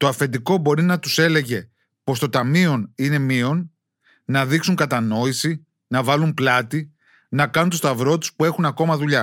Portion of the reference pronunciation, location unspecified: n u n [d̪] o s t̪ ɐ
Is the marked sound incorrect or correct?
incorrect